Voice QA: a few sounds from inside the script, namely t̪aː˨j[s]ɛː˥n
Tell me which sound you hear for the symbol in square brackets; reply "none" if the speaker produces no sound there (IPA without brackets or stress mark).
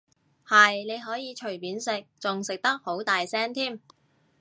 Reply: s